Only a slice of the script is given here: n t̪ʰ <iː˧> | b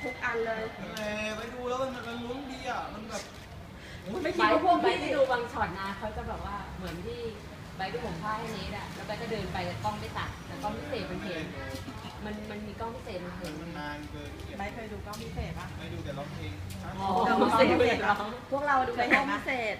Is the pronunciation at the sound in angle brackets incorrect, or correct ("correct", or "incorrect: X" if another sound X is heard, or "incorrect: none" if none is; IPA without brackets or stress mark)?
incorrect: iː˥˩